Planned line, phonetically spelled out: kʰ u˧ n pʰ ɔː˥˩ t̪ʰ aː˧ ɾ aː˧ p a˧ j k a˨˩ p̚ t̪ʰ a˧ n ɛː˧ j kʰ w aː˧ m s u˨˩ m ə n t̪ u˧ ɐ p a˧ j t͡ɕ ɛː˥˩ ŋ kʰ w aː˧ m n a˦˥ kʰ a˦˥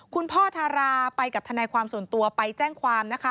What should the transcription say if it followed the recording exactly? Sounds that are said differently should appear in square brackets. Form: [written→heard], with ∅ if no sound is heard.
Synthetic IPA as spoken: kʰ u˧ n pʰ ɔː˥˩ t̪ʰ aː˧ ɾ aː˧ p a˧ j k a˨˩ p̚ t̪ʰ a˧ n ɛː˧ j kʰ w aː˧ m s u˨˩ [m→∅] ə n t̪ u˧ ɐ p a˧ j t͡ɕ ɛː˥˩ ŋ kʰ w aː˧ m n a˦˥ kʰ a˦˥